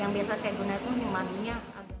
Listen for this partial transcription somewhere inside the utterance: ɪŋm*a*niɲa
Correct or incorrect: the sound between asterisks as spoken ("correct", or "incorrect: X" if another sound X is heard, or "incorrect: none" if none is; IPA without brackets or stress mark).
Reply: correct